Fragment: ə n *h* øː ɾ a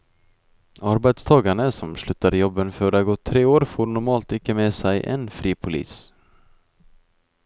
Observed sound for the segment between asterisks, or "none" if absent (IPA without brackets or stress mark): f